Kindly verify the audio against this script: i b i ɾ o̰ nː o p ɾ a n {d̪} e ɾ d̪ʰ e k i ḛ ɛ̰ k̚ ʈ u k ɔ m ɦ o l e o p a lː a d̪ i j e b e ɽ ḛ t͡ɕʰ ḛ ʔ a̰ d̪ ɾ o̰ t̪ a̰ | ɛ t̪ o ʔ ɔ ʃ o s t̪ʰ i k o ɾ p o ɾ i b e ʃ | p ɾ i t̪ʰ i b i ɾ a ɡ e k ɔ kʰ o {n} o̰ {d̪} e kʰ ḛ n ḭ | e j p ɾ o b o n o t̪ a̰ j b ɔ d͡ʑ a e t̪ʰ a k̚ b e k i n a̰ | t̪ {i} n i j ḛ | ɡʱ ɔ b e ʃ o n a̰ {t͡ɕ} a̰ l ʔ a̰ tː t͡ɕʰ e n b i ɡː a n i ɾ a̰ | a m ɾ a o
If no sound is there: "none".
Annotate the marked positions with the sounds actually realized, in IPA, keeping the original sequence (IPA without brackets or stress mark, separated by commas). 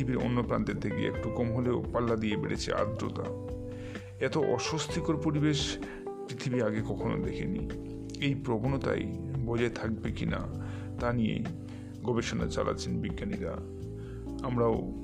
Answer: t̪, n, d̪, a, t͡ɕ